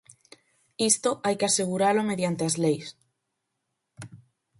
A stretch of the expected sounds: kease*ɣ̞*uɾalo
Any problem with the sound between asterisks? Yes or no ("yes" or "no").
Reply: no